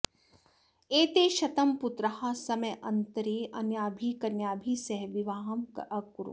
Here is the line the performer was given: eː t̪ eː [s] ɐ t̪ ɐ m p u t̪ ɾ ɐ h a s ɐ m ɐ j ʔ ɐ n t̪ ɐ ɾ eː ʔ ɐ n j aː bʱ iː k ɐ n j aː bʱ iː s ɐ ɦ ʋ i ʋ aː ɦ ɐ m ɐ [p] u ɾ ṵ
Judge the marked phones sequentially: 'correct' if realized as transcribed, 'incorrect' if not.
incorrect, incorrect

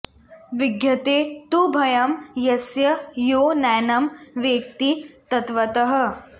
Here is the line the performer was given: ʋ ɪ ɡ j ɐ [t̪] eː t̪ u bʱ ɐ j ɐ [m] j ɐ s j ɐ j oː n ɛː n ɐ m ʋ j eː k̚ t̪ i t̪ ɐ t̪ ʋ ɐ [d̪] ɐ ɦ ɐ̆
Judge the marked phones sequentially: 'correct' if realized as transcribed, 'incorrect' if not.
correct, correct, incorrect

